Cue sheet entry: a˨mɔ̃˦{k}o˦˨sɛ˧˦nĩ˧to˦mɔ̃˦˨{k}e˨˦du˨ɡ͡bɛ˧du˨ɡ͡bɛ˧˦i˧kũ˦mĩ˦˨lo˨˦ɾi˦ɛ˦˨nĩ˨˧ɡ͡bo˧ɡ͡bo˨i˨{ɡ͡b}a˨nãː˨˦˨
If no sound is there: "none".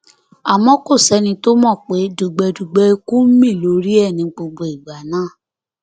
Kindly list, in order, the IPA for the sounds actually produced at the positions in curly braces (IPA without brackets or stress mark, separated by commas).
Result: k, k͡p, ɡ͡b